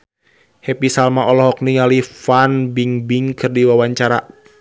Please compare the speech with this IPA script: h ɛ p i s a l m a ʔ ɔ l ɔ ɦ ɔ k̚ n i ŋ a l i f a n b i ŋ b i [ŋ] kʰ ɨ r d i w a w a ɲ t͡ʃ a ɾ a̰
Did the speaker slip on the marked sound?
no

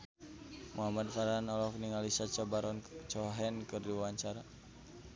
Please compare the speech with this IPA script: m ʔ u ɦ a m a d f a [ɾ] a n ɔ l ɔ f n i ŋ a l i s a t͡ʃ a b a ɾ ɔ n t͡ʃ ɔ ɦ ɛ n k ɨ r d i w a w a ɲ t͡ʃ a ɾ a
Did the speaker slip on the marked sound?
no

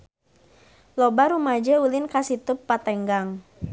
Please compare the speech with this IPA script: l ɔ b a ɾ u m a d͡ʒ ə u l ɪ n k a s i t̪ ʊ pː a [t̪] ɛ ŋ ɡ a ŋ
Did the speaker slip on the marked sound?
no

